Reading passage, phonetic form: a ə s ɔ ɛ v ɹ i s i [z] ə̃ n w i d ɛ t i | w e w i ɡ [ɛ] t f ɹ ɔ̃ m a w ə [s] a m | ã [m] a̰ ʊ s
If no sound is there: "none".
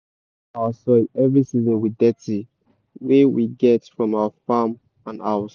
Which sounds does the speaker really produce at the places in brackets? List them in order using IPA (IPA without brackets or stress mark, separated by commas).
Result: z, ɛ, f, n